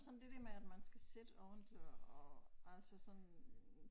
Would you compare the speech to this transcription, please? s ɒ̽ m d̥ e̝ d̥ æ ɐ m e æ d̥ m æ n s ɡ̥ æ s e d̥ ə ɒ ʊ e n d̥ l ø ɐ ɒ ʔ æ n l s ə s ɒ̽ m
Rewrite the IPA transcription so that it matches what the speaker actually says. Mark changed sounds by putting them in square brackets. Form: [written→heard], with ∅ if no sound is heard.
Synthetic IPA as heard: s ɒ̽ [m→n] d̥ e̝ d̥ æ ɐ m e æ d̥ m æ n s ɡ̥ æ s e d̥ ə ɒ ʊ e n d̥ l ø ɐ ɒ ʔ æ [n→∅] l s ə s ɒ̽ [m→n]